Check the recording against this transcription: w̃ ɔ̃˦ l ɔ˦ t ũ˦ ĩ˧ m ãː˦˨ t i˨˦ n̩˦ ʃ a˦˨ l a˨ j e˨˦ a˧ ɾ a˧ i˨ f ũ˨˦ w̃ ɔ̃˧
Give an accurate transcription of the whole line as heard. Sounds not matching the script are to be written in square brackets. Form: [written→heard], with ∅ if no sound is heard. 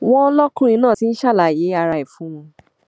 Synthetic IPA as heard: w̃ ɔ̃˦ l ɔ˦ [t→k] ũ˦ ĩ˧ [m→n] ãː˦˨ t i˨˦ n̩˦ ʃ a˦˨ l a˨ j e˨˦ a˧ ɾ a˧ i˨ f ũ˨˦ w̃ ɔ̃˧